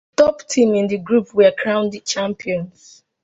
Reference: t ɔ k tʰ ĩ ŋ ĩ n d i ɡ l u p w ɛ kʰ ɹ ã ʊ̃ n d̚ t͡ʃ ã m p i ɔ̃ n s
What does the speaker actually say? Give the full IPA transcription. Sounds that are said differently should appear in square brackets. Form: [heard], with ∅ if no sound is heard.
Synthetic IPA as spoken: t ɔ [p] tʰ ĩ [m] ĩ n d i ɡ [ɹ] u p w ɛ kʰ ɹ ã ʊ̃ n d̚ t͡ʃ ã m p i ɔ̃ n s